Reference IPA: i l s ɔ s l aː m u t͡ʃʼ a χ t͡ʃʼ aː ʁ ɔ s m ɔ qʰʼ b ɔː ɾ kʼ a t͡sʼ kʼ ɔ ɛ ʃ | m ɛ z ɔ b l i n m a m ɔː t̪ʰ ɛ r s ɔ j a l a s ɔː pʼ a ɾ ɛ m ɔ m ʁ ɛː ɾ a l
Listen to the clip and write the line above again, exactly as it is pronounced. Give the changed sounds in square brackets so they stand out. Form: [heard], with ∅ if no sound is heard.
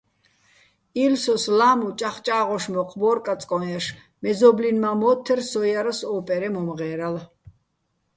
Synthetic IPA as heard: i l s ɔ s l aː m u t͡ʃʼ a χ t͡ʃʼ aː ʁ ɔ [ʃ] m ɔ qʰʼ b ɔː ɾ kʼ a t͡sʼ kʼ ɔ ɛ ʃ | m ɛ z ɔ b l i n m a m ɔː t̪ʰ ɛ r s ɔ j a [ɾ] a s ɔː pʼ [ɛ] ɾ ɛ m ɔ m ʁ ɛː ɾ a l